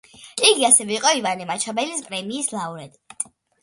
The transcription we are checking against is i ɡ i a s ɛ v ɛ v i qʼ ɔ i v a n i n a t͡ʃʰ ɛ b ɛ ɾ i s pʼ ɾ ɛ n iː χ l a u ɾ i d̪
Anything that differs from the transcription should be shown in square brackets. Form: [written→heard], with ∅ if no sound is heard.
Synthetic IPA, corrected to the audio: i ɡ i a s ɛ v ɛ [v→∅] i qʼ ɔ i v a n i [n→m] a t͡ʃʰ [ɛ→a] b ɛ [ɾ→l] i s pʼ ɾ ɛ [n→m] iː [χ→s] l a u ɾ [i→ɛ] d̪